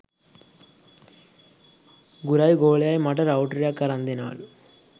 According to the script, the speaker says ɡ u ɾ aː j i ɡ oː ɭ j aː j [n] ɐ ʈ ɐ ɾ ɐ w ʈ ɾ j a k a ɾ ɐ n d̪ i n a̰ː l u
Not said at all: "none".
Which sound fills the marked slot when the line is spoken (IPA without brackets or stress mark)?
m